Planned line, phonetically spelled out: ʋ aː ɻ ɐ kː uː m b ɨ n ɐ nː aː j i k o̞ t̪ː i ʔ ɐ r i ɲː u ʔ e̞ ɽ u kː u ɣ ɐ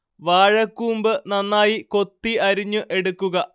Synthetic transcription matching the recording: ʋ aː ɻ ɐ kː uː m b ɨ n ɐ nː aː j i k o̞ t̪ː i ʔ ɐ ɾ i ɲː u ʔ e̞ ɽ u kː u ɣ ɐ